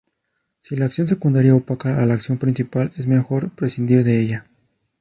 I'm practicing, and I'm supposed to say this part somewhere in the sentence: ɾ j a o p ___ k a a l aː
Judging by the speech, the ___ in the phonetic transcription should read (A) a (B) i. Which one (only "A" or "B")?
A